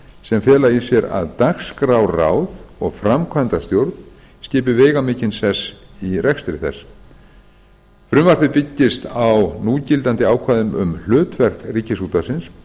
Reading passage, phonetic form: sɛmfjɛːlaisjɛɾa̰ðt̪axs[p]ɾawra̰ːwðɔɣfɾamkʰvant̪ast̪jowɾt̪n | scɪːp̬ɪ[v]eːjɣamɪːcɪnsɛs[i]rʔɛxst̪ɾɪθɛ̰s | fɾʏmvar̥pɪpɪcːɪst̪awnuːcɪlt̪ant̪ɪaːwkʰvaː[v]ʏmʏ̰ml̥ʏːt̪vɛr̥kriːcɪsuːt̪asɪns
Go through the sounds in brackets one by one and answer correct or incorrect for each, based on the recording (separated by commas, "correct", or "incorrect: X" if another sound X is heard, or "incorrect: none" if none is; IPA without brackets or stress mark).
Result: incorrect: k, correct, correct, incorrect: ð